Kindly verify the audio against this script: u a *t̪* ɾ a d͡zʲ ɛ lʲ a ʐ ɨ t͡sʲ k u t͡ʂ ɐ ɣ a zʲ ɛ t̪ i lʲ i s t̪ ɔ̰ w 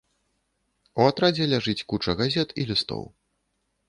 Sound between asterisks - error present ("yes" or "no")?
no